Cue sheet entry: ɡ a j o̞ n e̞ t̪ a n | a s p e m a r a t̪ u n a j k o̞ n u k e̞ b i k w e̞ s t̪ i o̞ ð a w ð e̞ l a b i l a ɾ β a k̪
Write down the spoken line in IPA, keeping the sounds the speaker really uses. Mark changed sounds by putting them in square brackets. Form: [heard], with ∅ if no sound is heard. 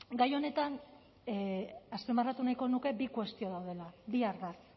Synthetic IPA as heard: ɡ a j o̞ n e̞ t̪ a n | a s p e m a r a t̪ u n a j k o̞ n u k e̞ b i k w e̞ s t̪ i o̞ ð a w ð e̞ l a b i [∅] a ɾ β a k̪